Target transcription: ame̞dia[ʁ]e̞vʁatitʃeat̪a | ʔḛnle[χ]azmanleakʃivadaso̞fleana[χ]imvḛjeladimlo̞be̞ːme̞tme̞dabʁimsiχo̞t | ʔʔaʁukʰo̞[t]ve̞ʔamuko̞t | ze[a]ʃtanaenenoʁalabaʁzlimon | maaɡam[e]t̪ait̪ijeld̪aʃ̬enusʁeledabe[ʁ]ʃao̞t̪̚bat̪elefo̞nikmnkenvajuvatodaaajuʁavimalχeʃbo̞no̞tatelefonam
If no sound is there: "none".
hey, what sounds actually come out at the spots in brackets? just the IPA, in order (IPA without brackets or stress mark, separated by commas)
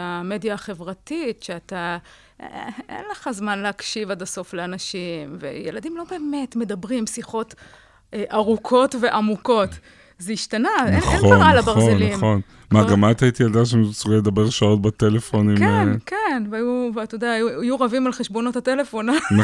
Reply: χ, χ, ʃ, t, i, a, ʁ